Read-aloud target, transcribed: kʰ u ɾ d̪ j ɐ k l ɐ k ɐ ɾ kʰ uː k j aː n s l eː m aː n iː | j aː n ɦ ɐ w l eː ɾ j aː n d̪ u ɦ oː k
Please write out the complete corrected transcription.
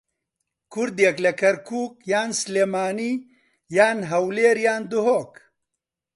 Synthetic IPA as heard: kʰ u ɾ d̪ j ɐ k l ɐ k ɐ ɾ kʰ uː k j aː n s l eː m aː n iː | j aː n ɦ ɐ w l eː ɾ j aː n d̪ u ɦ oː k

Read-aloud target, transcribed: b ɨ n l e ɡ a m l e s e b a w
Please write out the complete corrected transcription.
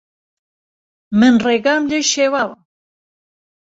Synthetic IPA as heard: m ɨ n r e ɡ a m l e ʃ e w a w

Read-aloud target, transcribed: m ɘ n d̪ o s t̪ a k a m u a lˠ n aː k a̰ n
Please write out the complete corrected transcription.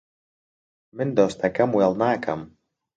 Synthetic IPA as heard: m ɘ n d̪ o s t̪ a k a m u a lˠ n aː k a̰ m

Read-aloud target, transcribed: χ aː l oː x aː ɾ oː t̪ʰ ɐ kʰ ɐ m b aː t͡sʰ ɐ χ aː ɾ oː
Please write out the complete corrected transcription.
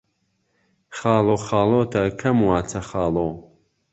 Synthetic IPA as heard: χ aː l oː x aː l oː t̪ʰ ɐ kʰ ɐ m w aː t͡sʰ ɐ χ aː l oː

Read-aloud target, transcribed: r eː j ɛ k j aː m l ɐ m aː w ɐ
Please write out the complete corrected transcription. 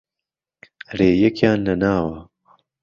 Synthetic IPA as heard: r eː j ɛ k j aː n l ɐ n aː w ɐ

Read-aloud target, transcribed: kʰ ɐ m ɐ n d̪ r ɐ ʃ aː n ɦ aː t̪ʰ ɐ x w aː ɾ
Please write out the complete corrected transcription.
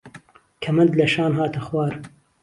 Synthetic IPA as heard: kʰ ɐ m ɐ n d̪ l ɐ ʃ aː n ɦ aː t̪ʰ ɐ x w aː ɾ

